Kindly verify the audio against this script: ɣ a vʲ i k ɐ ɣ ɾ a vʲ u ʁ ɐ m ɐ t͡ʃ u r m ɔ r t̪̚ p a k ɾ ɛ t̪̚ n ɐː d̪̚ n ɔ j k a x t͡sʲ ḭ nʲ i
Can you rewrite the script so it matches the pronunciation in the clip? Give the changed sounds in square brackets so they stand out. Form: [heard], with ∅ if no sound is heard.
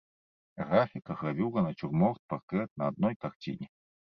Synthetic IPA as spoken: ɣ a [fʲ] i k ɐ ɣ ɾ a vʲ u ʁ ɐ [n] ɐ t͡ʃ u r m ɔ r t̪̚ p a k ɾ ɛ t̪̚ n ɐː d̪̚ n ɔ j k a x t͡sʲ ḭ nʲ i